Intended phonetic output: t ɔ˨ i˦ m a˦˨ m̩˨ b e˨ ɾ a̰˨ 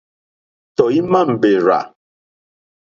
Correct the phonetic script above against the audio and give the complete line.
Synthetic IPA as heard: t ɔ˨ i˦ m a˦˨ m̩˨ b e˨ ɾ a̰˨